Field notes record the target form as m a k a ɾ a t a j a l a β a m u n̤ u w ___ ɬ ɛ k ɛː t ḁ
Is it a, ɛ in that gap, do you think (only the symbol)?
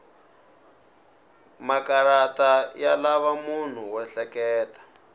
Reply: ɛ